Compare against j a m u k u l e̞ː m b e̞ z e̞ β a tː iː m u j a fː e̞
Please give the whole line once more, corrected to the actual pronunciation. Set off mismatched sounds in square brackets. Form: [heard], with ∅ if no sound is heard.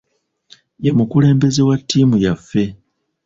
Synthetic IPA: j [e] m u k u l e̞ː m b e̞ z e̞ [w] a tː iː m u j a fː e̞